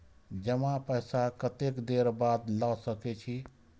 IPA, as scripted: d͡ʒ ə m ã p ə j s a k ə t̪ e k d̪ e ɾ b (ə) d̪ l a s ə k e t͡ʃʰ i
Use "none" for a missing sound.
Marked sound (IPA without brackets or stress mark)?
a